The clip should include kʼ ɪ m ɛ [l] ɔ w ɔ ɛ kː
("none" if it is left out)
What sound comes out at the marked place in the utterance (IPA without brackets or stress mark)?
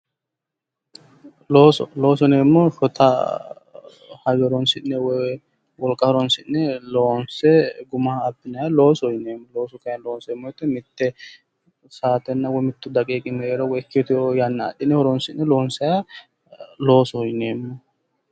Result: ɾ